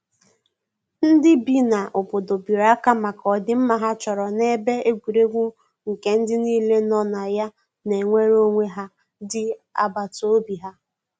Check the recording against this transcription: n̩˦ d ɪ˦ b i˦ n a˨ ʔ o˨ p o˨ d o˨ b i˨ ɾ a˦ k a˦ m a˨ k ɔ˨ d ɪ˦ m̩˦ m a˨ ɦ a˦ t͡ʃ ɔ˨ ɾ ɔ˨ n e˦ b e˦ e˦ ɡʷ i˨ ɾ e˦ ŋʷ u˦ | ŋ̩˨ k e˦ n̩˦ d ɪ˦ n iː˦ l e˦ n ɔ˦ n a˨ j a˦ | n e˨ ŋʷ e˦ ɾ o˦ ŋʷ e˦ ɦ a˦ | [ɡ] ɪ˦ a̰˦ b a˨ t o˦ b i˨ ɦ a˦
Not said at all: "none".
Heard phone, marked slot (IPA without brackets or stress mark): d